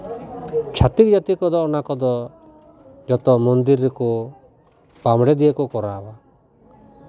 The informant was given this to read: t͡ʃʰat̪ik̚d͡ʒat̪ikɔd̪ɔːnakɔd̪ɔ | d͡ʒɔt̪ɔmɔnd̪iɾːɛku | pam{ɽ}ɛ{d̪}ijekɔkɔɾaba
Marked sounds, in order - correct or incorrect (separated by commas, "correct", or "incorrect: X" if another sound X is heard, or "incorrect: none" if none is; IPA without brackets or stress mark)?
correct, correct